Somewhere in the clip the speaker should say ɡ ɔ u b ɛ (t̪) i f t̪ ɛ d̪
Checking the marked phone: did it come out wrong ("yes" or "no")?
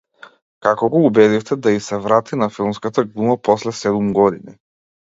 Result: yes